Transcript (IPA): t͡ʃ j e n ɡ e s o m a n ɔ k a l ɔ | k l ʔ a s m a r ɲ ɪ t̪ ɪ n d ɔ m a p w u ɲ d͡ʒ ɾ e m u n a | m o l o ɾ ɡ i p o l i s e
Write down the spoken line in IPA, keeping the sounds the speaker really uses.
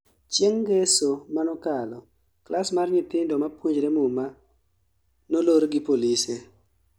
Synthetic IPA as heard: t͡ʃ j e ŋ ɡ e s o m a n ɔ k a l ɔ | k l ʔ a s m a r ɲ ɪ t̪ ɪ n d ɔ m a p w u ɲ d͡ʒ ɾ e m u m a | n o l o ɾ ɡ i p o l i s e